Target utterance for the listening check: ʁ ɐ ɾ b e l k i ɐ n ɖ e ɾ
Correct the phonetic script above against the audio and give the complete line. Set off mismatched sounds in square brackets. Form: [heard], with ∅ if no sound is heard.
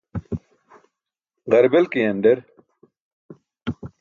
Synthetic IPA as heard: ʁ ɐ ɾ b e l k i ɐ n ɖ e ɾ

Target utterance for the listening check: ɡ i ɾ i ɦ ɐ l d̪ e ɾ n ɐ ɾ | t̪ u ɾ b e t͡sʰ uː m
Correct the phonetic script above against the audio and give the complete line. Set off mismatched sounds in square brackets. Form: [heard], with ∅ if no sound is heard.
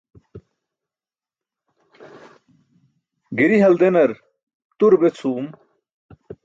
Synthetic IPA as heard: ɡ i ɾ i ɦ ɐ l d̪ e [∅] n ɐ ɾ | t̪ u ɾ b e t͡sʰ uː m

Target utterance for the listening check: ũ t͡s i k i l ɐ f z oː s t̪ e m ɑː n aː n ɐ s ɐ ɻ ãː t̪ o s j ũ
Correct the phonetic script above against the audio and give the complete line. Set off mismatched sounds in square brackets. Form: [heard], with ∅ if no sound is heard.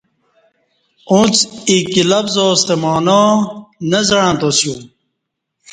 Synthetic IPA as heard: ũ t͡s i k i l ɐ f z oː s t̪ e m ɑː n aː n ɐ [z] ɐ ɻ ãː t̪ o s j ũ

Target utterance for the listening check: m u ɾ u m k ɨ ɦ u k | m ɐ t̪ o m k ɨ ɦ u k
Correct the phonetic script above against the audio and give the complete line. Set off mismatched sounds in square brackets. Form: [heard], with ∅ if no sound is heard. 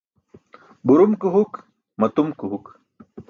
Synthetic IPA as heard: [b] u ɾ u m k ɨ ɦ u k | m ɐ t̪ [u] m k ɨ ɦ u k

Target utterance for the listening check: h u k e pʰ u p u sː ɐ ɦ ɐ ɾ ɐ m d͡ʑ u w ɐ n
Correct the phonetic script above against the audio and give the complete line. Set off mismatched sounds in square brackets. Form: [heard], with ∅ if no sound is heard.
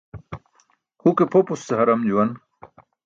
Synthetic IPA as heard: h u k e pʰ [o] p u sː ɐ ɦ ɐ ɾ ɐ m d͡ʑ u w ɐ n

